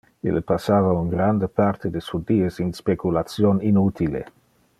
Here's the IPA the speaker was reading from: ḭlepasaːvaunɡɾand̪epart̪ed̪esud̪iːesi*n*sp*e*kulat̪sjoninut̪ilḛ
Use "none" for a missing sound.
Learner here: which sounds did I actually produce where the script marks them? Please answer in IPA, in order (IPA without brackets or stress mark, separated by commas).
n, e